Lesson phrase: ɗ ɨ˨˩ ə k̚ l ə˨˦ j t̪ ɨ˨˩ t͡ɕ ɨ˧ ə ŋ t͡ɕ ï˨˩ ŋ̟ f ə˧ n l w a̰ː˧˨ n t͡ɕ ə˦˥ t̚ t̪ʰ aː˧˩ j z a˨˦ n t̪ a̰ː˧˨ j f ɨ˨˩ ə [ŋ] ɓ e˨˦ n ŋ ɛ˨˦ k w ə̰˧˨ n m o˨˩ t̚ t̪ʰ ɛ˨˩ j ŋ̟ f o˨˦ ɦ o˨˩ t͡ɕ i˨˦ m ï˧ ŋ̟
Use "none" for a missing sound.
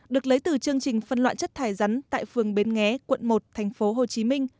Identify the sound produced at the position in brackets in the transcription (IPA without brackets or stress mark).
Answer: ŋ